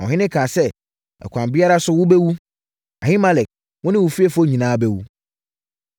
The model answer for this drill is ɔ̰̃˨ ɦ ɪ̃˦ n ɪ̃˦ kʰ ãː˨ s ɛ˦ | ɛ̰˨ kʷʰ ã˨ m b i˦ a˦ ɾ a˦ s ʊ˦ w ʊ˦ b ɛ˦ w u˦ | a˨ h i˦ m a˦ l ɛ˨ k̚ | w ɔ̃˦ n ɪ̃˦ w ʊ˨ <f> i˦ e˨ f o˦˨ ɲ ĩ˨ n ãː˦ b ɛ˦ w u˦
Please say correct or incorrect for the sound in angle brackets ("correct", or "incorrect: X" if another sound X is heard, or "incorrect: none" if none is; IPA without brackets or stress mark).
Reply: correct